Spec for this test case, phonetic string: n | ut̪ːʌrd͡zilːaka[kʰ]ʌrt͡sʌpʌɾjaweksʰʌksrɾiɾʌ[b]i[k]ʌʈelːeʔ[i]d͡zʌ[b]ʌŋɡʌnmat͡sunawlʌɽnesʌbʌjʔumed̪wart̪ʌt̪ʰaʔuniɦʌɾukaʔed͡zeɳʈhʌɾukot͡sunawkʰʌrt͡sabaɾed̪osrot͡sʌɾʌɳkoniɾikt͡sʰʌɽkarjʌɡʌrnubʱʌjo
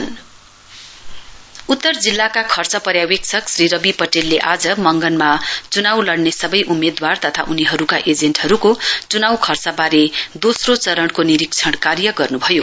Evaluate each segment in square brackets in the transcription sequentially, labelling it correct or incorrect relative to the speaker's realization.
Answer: correct, correct, incorrect: p, incorrect: a, incorrect: m

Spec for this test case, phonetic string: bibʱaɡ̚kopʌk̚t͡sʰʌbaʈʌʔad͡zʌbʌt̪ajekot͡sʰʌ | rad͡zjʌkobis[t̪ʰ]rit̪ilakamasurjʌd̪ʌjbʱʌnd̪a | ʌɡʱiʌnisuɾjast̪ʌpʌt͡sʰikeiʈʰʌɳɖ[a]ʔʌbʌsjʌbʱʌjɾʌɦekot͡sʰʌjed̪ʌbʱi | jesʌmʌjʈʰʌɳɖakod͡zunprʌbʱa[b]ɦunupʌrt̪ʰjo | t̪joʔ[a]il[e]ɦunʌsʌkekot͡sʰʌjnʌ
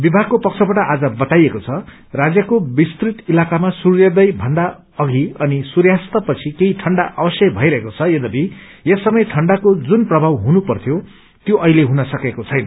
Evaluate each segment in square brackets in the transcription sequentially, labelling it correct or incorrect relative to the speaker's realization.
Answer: incorrect: t̪, correct, incorrect: w, incorrect: ʌ, correct

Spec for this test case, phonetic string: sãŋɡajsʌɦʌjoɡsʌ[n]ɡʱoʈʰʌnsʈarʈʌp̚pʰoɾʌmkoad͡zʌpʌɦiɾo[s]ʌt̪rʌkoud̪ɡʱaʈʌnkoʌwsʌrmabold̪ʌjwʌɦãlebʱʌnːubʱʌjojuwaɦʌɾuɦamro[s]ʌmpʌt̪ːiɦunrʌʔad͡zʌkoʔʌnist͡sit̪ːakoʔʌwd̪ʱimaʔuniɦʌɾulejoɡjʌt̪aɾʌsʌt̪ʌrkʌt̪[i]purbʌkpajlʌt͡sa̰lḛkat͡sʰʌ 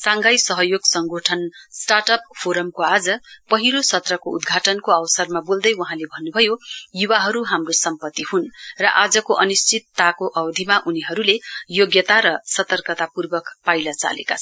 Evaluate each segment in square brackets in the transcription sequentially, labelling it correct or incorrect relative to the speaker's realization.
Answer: incorrect: ŋ, correct, correct, incorrect: a

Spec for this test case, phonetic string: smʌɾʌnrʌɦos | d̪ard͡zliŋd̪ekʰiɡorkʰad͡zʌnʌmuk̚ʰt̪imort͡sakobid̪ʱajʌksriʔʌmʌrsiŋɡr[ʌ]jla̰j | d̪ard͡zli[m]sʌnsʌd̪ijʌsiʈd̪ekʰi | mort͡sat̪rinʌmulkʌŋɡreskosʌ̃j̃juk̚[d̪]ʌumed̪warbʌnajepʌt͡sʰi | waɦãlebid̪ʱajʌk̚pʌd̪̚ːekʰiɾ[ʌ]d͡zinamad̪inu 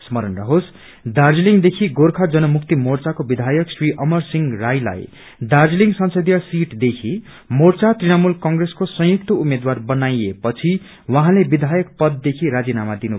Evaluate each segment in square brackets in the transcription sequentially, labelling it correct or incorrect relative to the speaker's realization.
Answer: incorrect: a, incorrect: ŋ, incorrect: t̪, incorrect: a

